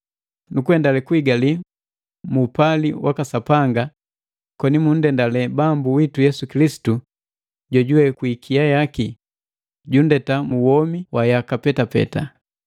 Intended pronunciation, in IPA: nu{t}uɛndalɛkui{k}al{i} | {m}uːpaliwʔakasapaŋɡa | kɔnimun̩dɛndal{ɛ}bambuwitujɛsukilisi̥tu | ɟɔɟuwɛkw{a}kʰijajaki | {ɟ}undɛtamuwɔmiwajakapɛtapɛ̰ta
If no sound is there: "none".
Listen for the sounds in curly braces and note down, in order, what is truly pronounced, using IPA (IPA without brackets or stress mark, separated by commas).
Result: k, ɡ, i, m, ɛ, i, ɟ